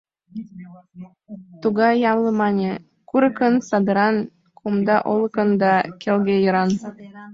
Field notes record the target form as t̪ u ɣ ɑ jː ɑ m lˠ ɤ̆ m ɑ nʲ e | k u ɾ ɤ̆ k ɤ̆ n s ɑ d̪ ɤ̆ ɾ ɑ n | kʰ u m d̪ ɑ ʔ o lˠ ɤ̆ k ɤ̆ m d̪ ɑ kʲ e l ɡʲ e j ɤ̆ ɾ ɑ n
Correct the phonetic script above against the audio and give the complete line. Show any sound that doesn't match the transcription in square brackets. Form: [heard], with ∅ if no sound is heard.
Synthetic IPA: t̪ u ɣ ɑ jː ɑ m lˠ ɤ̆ m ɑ nʲ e | k u ɾ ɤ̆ k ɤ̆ n s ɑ d̪ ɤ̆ ɾ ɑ n | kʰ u m d̪ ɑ ʔ o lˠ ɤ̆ k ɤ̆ [n] d̪ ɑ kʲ e l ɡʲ e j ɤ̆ ɾ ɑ n